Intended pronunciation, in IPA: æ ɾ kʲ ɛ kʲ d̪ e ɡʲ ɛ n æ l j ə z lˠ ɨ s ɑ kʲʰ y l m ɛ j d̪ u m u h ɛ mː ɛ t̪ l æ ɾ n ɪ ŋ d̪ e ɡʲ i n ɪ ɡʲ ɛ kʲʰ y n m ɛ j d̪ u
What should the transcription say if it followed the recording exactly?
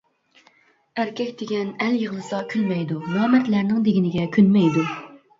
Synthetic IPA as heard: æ ɾ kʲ ɛ kʲ d̪ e ɡʲ ɛ n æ l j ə ʁ lˠ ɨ s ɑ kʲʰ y l m ɛ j d̪ u m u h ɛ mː ɛ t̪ l æ ɾ n ɪ ŋ d̪ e ɡʲ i n ɪ ɡʲ ɛ kʲʰ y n m ɛ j d̪ u